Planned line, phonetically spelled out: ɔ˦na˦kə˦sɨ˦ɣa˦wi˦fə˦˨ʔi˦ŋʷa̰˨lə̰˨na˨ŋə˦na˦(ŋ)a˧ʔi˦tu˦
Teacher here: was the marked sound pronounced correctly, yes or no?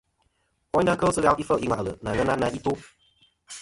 no